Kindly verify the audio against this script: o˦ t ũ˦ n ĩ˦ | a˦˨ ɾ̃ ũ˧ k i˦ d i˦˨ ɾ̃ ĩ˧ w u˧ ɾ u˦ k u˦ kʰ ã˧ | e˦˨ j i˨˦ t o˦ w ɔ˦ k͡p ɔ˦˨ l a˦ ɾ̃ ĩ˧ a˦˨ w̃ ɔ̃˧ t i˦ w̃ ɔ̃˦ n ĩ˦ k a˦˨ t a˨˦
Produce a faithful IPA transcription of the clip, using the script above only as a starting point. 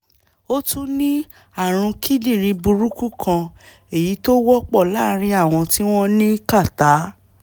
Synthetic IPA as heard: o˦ t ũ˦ n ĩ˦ | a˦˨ ɾ̃ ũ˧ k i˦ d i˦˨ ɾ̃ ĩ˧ b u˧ ɾ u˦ k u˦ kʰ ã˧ | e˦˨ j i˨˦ t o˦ w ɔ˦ k͡p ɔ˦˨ l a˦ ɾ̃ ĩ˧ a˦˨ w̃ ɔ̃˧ t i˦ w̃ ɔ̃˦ n ĩ˦ k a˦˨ t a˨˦